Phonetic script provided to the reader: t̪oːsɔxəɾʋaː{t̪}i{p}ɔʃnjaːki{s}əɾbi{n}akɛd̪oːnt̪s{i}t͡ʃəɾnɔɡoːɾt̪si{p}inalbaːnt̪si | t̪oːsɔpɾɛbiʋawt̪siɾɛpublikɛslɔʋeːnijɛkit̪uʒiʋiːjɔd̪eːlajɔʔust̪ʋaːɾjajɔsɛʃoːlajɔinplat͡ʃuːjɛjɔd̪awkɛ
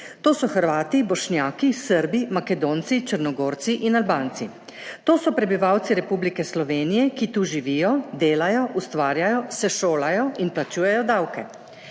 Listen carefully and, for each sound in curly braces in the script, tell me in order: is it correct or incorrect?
correct, incorrect: b, correct, incorrect: m, correct, incorrect: ʔ

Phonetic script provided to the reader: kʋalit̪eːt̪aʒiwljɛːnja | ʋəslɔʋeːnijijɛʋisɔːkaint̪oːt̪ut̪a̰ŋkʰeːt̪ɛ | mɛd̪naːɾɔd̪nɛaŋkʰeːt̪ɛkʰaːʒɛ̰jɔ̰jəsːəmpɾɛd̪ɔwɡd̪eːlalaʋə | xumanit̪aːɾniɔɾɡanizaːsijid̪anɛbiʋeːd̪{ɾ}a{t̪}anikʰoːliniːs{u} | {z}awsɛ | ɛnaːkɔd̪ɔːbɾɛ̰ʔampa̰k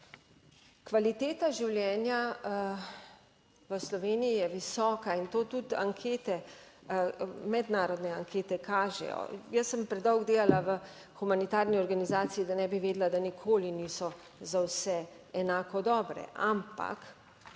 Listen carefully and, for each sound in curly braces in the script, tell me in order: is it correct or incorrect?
incorrect: l, incorrect: d̪, incorrect: ɔ, correct

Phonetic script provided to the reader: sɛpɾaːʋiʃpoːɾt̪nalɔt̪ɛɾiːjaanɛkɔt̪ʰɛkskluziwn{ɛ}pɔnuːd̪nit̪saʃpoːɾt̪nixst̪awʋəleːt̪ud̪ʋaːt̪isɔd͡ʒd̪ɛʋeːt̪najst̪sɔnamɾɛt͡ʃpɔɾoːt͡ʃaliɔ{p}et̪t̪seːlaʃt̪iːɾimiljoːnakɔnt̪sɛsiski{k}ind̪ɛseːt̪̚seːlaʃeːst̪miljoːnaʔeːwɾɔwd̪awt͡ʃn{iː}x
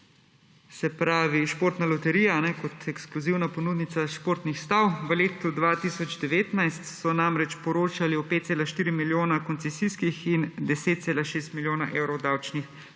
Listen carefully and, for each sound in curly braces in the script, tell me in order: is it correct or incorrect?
incorrect: a, correct, incorrect: x, incorrect: i

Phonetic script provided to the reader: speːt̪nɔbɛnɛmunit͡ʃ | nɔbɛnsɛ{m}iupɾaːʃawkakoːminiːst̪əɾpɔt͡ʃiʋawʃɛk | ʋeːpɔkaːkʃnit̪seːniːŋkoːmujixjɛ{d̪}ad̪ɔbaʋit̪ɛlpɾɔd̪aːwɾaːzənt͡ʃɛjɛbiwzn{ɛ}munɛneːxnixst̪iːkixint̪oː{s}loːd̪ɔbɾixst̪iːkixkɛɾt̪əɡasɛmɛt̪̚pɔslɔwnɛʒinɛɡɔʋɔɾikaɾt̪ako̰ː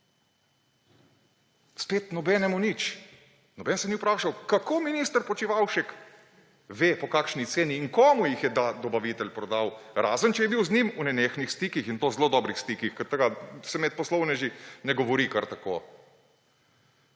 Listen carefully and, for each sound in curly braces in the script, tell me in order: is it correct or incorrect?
incorrect: n, correct, incorrect: i, incorrect: z

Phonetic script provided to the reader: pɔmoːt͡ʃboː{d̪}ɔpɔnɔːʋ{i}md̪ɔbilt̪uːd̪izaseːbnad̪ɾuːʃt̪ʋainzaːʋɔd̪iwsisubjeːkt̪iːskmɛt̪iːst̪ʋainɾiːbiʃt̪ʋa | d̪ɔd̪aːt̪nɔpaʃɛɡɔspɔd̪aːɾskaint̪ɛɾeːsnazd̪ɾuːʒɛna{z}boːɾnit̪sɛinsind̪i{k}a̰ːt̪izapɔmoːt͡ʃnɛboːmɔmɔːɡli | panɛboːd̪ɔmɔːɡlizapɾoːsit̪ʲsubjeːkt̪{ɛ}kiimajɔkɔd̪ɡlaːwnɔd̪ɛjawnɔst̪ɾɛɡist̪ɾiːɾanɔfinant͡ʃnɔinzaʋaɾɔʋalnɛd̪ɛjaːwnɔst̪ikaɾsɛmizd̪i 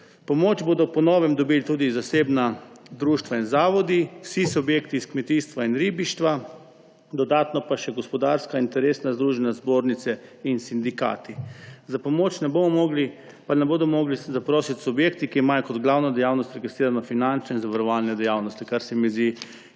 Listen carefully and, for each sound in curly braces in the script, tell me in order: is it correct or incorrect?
correct, incorrect: ɛ, correct, correct, incorrect: i

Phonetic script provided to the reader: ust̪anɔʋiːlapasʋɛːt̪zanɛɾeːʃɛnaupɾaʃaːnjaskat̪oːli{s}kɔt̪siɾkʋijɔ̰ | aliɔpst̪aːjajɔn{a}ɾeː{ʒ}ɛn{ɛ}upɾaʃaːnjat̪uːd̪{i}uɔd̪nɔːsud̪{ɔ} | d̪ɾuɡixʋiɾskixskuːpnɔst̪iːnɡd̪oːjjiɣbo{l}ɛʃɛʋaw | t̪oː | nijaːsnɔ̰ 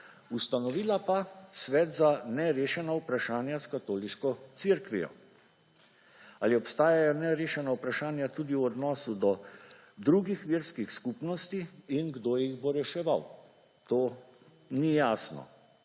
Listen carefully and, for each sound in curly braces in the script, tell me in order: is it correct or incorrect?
incorrect: ʃ, incorrect: ɛ, incorrect: ʃ, incorrect: a, correct, correct, incorrect: ɾ

